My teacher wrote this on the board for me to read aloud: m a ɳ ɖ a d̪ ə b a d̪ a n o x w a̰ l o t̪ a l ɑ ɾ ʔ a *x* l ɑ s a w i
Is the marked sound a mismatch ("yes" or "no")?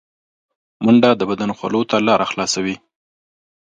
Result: no